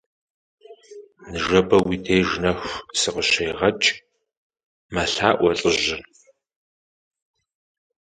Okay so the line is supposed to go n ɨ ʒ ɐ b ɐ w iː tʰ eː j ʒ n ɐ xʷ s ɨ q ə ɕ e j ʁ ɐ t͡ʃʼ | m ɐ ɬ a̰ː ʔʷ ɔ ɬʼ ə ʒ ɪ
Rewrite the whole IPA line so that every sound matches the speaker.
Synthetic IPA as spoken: n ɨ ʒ ɐ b ɐ w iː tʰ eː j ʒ n ɐ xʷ s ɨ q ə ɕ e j ʁ ɐ t͡ʃʼ | m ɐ ɬ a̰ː ʔʷ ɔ ɬʼ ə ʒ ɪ